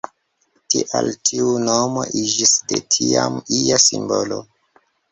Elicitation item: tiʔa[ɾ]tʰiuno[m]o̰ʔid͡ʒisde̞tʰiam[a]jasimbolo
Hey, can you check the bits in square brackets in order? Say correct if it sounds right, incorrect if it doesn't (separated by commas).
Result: incorrect, correct, incorrect